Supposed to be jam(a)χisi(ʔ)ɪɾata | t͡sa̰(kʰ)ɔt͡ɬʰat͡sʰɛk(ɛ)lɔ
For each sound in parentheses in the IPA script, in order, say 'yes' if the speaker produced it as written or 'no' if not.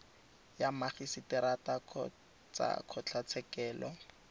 yes, no, yes, no

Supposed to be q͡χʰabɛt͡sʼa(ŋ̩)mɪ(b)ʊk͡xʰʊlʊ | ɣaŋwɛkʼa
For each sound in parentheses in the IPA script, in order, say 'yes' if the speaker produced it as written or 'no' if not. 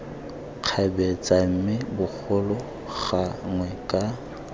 no, yes

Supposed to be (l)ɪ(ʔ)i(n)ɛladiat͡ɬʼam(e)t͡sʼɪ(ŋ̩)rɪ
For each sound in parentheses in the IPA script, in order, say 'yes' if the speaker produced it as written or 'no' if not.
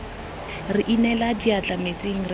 no, yes, yes, yes, yes

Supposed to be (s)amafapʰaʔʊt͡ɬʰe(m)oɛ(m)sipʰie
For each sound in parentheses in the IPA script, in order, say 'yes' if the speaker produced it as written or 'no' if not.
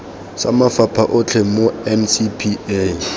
yes, yes, yes

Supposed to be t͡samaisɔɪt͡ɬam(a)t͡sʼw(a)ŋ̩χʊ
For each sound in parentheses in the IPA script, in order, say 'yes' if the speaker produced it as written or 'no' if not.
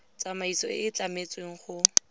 no, no

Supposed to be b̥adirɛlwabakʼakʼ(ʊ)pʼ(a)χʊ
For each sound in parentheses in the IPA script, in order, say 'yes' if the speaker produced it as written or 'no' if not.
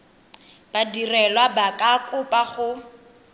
yes, yes

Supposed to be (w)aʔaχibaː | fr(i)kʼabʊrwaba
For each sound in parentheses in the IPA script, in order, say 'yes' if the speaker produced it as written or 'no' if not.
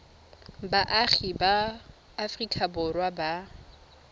no, yes

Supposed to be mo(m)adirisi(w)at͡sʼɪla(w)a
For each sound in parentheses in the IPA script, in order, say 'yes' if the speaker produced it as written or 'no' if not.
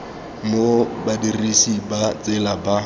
no, no, no

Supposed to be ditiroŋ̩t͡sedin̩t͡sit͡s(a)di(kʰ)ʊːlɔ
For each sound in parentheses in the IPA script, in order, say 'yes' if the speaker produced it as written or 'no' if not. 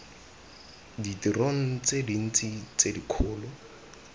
no, yes

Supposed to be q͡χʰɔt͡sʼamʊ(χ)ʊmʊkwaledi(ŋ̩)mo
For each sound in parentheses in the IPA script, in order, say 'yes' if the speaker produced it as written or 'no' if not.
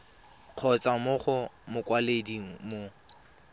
yes, yes

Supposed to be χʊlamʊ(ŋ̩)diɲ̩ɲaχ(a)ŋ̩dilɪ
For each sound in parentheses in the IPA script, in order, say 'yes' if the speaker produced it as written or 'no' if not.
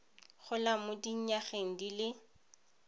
no, no

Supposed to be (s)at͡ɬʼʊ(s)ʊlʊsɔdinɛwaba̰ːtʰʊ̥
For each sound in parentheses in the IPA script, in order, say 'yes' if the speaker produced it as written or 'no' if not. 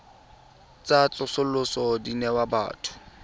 no, yes

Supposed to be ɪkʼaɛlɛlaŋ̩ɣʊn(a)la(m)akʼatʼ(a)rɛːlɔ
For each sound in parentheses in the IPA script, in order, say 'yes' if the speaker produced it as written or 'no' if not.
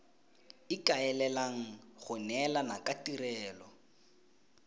no, no, no

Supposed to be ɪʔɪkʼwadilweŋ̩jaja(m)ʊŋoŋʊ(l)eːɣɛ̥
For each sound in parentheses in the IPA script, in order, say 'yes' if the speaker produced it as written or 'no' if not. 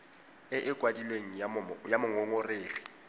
yes, no

